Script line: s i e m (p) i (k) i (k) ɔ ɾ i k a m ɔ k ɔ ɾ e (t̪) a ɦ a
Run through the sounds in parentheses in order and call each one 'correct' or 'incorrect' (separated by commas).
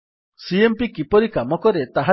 correct, correct, incorrect, correct